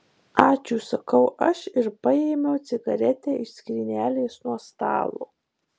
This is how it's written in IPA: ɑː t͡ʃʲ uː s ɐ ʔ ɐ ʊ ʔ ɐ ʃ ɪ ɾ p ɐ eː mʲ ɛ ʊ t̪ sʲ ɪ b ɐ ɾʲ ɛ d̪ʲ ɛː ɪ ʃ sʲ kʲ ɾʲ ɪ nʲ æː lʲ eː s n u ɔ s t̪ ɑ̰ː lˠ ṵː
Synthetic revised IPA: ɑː t͡ʃʲ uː s ɐ k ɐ ʊ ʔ ɐ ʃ ɪ ɾ p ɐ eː mʲ ɛ ʊ t̪ sʲ ɪ ɡ ɐ ɾʲ ɛ t̪ʲ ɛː ɪ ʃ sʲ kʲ ɾʲ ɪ nʲ æː lʲ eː s n u ɔ s t̪ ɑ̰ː lˠ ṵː